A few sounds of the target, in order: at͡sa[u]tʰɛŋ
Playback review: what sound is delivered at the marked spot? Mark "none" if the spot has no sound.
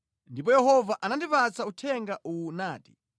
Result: u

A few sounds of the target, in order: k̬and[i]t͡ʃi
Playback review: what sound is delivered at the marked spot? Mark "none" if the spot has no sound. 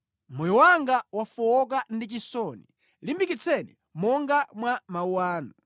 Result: i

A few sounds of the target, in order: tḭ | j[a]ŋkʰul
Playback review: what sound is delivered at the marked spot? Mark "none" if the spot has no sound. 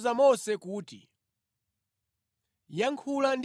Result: a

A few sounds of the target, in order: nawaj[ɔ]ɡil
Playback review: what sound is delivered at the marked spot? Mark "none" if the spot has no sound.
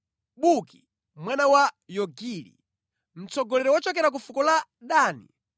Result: ɔ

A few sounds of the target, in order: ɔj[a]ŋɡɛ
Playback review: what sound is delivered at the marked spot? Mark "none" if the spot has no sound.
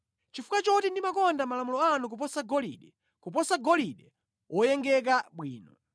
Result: ɛ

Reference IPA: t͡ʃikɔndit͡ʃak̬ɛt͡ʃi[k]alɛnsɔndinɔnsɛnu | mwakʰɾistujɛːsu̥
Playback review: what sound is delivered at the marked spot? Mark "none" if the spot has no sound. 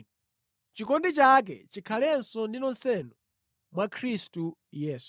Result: kʰ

